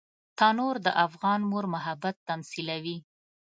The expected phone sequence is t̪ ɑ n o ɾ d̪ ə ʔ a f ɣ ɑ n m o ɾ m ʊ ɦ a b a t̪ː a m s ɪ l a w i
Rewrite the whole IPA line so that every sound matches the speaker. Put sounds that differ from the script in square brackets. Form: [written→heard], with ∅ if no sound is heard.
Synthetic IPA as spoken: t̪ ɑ n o ɾ d̪ ə ʔ a f ɣ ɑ n m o ɾ m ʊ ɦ a b a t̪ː a m s [ɪ→i] l a w i